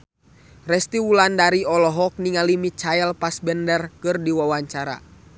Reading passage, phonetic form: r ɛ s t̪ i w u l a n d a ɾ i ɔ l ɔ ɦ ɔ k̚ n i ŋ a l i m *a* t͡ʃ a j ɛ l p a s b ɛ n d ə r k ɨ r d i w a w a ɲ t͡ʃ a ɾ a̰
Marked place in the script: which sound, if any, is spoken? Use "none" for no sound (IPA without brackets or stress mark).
i